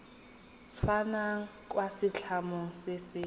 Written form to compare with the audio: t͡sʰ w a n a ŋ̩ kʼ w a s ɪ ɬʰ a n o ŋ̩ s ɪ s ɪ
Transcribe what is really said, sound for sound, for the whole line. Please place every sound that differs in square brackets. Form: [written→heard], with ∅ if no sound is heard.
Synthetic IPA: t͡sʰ w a n a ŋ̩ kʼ w a s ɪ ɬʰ a [n→m] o ŋ̩ s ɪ s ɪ

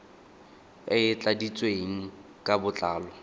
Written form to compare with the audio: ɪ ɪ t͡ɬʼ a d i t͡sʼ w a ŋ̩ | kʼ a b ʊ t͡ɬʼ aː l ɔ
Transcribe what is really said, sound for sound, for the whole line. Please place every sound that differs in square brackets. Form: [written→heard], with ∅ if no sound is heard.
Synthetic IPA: ɪ ɪ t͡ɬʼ a d i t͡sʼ w [a→e] ŋ̩ | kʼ a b ʊ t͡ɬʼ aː l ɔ

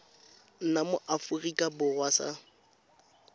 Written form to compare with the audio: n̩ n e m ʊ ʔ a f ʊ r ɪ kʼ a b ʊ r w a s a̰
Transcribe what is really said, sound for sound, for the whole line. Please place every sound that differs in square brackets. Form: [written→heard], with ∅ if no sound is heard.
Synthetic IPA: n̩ n [e→a] m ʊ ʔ a f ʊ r [ɪ→i] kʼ a b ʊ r w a s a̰

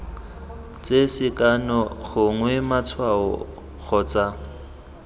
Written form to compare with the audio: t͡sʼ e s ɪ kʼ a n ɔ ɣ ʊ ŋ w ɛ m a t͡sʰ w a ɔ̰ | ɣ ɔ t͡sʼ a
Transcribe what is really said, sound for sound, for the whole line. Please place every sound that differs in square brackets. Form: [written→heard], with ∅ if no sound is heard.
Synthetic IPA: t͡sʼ e s ɪ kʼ a n ɔ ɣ ʊ ŋ w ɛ m a t͡sʰ w a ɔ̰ | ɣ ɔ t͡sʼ a

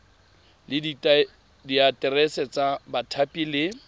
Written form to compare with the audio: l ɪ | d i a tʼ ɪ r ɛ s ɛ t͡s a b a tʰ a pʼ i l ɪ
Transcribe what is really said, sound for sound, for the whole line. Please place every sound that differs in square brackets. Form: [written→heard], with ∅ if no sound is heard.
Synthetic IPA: l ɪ | d i a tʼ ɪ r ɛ s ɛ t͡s a b a tʰ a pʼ i l ɪ

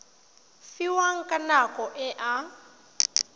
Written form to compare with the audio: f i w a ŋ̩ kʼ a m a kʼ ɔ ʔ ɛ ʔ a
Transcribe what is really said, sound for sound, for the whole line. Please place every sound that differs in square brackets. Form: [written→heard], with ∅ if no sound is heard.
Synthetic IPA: f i w a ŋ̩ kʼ a [m→n] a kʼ ɔ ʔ ɛ ʔ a

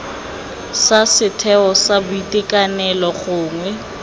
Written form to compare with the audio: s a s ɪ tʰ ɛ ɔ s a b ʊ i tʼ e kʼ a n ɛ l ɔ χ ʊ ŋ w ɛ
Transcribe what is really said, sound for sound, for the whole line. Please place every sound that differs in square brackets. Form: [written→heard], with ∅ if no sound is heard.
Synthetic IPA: s a s ɪ tʰ ɛ ɔ s a b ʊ i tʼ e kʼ a n ɛ l ɔ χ [ʊ→ʊː] ŋ w ɛ

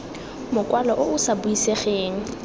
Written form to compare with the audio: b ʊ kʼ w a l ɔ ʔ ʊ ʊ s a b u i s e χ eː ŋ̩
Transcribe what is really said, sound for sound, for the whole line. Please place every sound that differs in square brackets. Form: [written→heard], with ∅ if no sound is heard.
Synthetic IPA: [b→m] ʊ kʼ w a l ɔ ʔ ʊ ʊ s a b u i s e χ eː ŋ̩

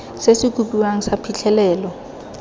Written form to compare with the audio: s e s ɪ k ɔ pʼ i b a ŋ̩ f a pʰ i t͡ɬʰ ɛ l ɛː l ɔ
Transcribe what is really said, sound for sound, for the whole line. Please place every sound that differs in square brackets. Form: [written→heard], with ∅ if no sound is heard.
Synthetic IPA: s e s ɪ k [ɔ→u] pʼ i [b→w] a ŋ̩ [f→s] a pʰ i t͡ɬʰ ɛ l ɛː l ɔ

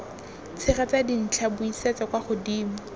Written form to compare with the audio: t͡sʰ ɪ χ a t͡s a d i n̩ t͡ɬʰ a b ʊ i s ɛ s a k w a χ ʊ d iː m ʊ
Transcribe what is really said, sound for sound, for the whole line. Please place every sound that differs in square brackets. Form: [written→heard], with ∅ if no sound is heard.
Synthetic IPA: t͡sʰ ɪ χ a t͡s a d i n̩ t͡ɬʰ a b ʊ i s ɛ [s→t͡s] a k w a χ ʊ d iː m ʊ

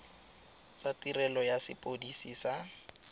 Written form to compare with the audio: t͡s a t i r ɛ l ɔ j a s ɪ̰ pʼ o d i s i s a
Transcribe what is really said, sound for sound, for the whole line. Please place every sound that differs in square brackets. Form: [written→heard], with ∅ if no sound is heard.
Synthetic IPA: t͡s a t i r ɛ l ɔ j a s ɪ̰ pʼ o d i s i s a

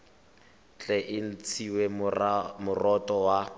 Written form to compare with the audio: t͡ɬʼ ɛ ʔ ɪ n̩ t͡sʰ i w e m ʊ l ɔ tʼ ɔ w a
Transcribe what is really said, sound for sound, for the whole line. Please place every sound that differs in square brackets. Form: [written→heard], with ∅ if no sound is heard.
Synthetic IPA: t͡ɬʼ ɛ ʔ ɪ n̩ t͡sʰ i w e m ʊ [l→r] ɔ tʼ ɔ w a

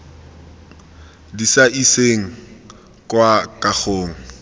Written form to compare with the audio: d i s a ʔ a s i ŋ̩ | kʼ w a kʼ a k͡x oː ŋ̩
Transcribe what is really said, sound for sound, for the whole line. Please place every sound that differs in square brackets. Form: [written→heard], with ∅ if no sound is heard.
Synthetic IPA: d i s a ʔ [a→i] s [i→e] ŋ̩ | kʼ w a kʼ a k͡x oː ŋ̩

